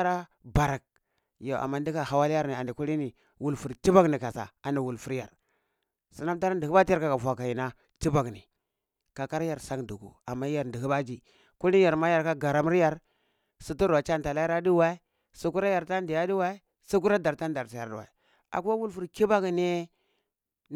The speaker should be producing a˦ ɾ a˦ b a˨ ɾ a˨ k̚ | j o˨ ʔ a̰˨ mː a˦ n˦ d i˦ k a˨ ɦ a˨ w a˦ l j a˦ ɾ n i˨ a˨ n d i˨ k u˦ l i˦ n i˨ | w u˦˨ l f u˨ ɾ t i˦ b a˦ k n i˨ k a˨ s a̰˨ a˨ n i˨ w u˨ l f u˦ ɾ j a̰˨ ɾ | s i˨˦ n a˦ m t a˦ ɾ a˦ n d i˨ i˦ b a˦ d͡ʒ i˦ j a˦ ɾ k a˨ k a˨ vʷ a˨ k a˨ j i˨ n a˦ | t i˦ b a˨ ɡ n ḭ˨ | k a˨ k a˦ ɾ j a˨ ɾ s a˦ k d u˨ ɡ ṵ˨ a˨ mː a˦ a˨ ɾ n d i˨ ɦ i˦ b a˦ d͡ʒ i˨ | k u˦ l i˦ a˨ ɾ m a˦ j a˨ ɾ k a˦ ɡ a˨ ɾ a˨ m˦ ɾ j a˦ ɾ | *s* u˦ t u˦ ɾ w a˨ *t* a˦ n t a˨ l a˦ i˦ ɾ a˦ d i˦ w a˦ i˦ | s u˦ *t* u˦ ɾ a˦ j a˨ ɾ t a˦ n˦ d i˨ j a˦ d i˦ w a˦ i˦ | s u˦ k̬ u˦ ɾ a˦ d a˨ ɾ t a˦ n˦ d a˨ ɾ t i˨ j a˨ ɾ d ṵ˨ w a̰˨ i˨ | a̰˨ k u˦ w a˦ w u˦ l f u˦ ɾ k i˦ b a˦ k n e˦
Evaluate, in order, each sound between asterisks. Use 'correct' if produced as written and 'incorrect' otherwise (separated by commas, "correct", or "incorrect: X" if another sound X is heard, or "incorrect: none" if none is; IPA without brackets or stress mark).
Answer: correct, incorrect: t͡ʃ, incorrect: k